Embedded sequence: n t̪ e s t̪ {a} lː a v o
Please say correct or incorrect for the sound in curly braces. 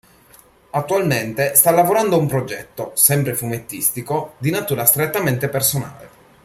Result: correct